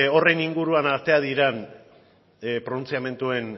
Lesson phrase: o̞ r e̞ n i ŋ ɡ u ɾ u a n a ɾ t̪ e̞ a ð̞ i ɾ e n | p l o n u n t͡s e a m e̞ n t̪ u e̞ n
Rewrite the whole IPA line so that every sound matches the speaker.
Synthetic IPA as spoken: o̞ r e̞ n i ŋ ɡ u ɾ u a n a ɾ t̪ e̞ a ð̞ i ɾ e n | p ɾ o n u n t͡s i a m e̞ n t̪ u e̞ n